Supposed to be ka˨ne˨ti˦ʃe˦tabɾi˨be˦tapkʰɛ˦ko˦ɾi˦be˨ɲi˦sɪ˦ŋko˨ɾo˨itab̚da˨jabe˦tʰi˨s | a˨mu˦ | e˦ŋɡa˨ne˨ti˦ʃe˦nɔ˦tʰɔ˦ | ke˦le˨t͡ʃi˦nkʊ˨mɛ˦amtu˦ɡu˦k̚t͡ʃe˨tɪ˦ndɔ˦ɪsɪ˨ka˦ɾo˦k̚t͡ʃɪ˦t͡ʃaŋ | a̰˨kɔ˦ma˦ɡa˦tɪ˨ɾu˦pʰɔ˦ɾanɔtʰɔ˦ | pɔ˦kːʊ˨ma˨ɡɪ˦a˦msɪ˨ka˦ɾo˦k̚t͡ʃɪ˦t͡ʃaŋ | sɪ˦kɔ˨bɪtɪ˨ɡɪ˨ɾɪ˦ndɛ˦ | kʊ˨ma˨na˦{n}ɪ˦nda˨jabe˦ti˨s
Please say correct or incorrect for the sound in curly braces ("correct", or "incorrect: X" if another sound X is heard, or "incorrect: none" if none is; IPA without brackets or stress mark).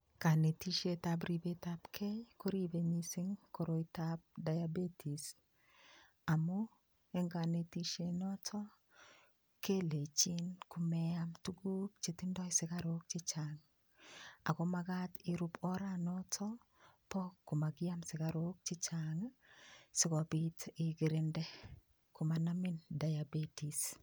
incorrect: m